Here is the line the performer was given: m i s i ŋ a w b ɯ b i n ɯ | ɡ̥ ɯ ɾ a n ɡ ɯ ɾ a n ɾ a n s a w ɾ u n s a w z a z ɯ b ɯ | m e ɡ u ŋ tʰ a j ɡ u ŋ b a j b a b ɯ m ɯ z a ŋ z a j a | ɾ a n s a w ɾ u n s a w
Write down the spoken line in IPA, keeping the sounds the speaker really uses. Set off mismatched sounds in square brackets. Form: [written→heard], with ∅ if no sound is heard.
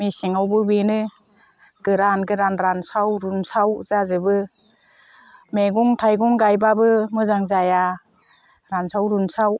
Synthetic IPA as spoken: m i s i ŋ a w b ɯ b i n ɯ | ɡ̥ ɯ ɾ a n ɡ ɯ ɾ a n ɾ a n s a w ɾ u n s a w z a z ɯ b ɯ | m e ɡ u ŋ tʰ a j ɡ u ŋ [b→ɡ] a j b a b ɯ m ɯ z a ŋ z a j a | ɾ a n s a w ɾ u n s a w